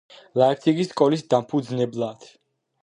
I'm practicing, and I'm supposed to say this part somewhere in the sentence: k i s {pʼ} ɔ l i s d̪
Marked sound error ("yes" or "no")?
yes